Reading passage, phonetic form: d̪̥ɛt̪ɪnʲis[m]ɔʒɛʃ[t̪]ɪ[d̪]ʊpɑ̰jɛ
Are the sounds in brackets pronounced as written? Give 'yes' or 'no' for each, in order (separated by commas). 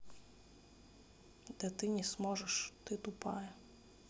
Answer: yes, yes, no